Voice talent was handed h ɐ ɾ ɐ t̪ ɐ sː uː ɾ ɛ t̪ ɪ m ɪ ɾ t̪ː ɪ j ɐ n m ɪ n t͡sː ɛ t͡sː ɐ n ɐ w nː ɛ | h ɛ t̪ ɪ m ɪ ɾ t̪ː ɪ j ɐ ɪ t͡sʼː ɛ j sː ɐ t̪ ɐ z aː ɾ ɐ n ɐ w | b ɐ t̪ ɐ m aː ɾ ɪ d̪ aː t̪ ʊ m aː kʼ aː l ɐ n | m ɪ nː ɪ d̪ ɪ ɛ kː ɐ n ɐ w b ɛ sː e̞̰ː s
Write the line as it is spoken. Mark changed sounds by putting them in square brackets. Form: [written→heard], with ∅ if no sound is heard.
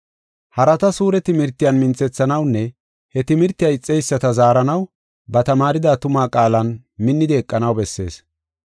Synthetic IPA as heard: h ɐ ɾ ɐ t̪ ɐ [sː→s] uː ɾ ɛ t̪ ɪ m ɪ ɾ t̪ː ɪ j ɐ n m ɪ n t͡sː ɛ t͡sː ɐ n ɐ w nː ɛ | h ɛ t̪ ɪ m ɪ ɾ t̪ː ɪ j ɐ ɪ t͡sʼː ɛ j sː ɐ t̪ ɐ z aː ɾ ɐ n ɐ w | b ɐ t̪ ɐ m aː ɾ ɪ d̪ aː t̪ ʊ m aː kʼ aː l ɐ n | m ɪ nː ɪ d̪ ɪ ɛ [kː→kʼː] ɐ n ɐ w b ɛ sː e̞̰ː s